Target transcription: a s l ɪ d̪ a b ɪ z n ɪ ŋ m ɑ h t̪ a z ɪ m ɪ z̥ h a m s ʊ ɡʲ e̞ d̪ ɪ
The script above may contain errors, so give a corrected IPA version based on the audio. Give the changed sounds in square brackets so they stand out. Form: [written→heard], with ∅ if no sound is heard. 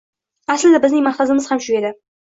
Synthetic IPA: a s l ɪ d̪ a b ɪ z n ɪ ŋ m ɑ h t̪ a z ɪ m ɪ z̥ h a m [s→ʃ] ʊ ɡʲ e̞ d̪ ɪ